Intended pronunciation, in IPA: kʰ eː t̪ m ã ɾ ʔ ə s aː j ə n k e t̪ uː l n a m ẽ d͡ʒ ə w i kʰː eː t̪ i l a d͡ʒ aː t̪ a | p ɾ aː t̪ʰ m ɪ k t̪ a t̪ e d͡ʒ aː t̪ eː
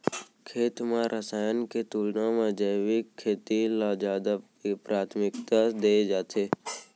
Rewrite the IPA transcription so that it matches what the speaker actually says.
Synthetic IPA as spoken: kʰ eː t̪ m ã ɾ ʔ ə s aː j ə n k e t̪ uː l n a m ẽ d͡ʒ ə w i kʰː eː t̪ i l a d͡ʒ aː d̪ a | p ɾ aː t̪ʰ m ɪ k t̪ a d̪ e d͡ʒ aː t̪ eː